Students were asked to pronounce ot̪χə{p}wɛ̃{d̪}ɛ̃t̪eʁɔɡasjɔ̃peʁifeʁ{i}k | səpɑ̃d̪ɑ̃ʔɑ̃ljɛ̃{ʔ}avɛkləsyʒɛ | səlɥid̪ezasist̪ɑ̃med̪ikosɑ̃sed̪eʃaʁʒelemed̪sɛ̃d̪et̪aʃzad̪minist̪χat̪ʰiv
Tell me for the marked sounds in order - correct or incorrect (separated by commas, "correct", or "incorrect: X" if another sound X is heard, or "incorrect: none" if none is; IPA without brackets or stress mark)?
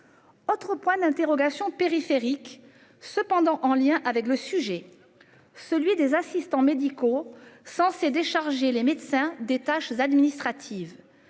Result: correct, correct, correct, correct